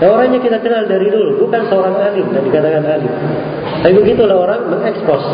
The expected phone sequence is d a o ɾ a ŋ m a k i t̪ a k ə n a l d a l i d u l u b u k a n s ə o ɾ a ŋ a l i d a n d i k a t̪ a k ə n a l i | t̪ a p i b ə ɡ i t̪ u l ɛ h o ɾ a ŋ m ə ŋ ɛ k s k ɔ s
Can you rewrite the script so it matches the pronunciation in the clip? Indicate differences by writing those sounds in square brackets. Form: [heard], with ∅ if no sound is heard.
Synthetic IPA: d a o ɾ a ŋ [ɲ] a k i t̪ a k ə n a l d a [ɾ] i d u l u b u k a n s ə o ɾ a ŋ a l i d a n d i k a t̪ a k [a] n a l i | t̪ a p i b ə ɡ i t̪ u l [a] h o ɾ a ŋ m ə ŋ ɛ k s [p] ɔ s